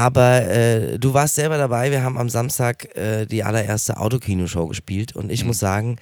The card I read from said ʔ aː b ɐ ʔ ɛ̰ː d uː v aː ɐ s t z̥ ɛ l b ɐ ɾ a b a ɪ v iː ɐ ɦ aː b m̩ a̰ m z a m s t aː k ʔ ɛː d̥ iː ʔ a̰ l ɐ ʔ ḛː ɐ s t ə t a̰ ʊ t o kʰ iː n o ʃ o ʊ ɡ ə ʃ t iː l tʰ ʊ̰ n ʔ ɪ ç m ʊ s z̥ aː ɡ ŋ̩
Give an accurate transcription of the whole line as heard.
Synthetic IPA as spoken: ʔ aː b ɐ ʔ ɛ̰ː d uː v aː ɐ s t z̥ ɛ l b ɐ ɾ a b a ɪ v iː ɐ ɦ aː b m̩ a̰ m z a m s t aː k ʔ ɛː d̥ iː ʔ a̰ l ɐ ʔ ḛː ɐ s t ə ʔ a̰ ʊ t o kʰ iː n o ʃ o ʊ ɡ ə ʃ p iː l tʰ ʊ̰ n t ɪ ç m ʊ s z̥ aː ɡ ŋ̩